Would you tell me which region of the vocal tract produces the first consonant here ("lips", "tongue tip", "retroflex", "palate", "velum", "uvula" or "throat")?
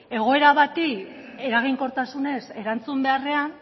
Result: velum